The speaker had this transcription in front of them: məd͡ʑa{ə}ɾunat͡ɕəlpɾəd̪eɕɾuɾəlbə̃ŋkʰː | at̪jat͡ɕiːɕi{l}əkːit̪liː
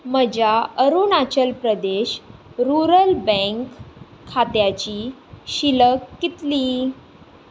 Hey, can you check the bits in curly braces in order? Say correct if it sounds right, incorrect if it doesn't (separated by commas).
correct, correct